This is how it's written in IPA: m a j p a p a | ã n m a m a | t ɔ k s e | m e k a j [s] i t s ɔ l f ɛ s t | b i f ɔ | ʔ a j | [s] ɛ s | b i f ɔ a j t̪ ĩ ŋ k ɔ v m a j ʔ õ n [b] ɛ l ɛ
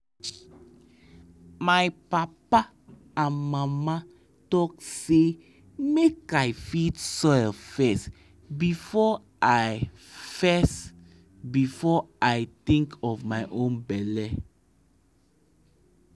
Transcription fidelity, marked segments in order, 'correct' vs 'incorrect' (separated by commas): incorrect, incorrect, correct